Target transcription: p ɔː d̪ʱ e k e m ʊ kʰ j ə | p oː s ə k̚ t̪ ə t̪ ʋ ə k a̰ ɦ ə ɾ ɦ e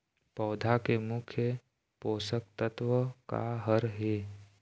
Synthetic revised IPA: p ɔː d̪ʱ a k e m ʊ kʰ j ə | p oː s ə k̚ t̪ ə t̪ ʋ ə k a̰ ɦ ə ɾ ɦ e